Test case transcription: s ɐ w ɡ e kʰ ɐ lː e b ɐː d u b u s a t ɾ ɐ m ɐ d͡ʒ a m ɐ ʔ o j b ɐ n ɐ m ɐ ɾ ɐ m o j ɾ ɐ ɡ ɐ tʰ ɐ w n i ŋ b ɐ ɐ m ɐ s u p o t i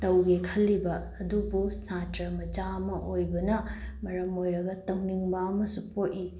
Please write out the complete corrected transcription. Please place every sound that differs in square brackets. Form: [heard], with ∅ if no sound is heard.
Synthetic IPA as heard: [t] ɐ w ɡ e kʰ ɐ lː [i] b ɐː d u b u s a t ɾ ɐ m ɐ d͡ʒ a m ɐ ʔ o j b ɐ n ɐ m ɐ ɾ ɐ m o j ɾ ɐ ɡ ɐ [t] ɐ w n i ŋ b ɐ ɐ m ɐ s u p o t i